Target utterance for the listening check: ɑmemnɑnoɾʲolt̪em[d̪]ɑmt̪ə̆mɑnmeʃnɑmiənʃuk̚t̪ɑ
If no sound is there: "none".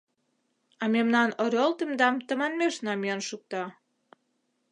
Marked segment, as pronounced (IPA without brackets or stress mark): d̪